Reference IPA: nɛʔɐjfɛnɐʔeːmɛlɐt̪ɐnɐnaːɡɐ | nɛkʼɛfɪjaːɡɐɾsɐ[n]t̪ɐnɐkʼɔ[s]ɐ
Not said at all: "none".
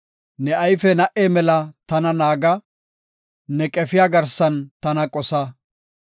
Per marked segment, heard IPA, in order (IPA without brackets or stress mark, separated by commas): n, s